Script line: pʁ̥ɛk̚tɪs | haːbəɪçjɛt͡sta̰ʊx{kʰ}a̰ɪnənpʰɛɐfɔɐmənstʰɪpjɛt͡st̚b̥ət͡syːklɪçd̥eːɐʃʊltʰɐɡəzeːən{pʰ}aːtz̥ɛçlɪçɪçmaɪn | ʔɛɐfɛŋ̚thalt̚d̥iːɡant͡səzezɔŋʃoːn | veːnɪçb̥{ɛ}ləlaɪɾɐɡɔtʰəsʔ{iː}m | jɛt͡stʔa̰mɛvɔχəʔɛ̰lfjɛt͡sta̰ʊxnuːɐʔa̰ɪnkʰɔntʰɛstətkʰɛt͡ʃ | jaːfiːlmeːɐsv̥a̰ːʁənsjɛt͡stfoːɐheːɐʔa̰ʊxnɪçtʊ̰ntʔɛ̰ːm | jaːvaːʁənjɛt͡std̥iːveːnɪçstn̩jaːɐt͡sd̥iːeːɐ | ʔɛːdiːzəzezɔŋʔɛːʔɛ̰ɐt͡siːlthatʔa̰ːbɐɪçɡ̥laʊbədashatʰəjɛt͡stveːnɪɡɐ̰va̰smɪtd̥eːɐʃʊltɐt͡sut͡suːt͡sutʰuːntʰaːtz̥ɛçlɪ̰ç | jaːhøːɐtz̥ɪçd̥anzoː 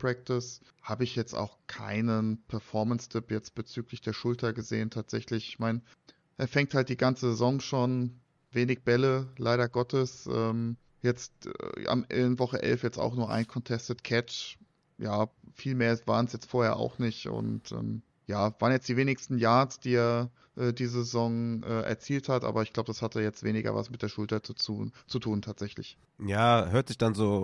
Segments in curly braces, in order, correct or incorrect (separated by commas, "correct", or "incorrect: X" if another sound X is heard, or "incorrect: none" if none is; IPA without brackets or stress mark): correct, incorrect: tʰ, correct, incorrect: ɛː